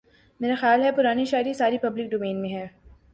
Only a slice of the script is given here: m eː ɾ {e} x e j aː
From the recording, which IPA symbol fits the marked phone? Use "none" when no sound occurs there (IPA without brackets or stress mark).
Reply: a